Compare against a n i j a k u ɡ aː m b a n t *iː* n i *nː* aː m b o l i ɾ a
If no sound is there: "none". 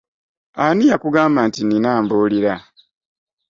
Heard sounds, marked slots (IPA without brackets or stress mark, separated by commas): i, n